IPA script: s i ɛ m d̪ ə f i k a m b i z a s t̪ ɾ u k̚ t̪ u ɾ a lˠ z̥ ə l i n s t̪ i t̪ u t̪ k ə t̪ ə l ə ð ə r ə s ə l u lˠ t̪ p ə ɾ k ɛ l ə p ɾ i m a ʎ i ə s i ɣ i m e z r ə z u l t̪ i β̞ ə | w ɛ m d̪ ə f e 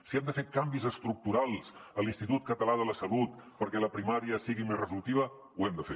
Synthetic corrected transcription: s i ɛ m d̪ ə f e k a m b i z ə s t̪ ɾ u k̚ t̪ u ɾ a lˠ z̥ ə l i n s t̪ i t̪ u t̪ k ə t̪ ə l a ð ə l ə s ə l u t̪ p ə ɾ k ɛ l ə p ɾ i m a ɾ i ə s i ɣ i m e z r ə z u l t̪ i β̞ ə | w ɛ m d̪ ə f e